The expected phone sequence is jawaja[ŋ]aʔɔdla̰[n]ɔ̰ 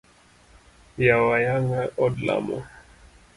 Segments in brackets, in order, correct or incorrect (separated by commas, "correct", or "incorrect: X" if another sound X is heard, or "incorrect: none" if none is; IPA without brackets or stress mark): correct, incorrect: m